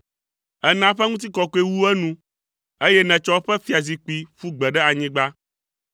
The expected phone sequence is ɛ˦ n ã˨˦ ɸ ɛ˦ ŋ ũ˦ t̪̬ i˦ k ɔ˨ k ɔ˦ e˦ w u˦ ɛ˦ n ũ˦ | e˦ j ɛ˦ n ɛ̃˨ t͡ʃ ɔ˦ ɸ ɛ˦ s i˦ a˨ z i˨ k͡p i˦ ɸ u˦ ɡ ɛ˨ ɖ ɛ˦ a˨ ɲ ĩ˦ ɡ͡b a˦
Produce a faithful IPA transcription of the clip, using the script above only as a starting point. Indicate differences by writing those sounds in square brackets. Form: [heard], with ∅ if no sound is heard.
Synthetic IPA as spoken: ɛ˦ n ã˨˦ ɸ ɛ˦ ŋ ũ˦ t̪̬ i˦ k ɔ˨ k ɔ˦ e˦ w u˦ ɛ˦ n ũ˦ | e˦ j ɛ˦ n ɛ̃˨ t͡ʃ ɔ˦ ɸ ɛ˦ [f] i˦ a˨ z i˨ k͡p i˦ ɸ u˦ [ɡ͡b] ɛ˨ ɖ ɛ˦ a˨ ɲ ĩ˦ ɡ͡b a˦